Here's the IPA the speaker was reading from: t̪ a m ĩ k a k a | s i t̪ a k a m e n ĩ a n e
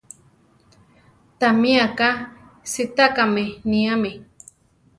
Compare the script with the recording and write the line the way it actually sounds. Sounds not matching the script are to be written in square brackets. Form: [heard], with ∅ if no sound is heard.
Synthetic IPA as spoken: t̪ a m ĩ [∅] a k a | s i t̪ a k a m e n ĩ a [m] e